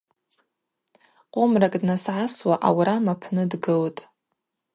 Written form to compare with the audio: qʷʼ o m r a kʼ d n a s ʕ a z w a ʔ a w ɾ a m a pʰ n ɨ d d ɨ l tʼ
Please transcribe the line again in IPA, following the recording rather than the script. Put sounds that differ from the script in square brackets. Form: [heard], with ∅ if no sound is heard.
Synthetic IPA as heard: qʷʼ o m r a kʼ d n a s ʕ a [s] w a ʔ a w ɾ a m a pʰ n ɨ d [ɡ] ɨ l tʼ